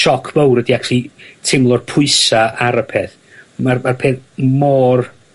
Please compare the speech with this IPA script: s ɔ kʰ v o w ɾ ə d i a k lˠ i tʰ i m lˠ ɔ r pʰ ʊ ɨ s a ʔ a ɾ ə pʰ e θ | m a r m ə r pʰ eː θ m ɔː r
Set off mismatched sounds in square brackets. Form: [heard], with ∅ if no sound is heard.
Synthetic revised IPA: [ʃ] ɔ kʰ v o w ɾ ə d i a k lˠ i tʰ [ɪ] m lˠ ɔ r pʰ ʊ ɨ s a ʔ a ɾ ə pʰ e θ | m a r m [a] r pʰ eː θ m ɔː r